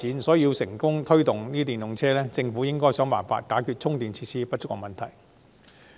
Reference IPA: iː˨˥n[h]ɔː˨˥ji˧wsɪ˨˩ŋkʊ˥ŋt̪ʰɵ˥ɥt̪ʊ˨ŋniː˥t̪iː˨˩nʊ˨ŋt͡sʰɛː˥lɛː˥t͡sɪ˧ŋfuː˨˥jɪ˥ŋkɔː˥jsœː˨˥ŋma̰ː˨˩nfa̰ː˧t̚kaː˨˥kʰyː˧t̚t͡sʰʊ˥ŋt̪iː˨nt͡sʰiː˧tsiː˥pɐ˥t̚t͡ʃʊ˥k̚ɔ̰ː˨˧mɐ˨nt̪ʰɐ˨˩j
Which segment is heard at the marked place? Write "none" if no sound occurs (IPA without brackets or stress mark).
s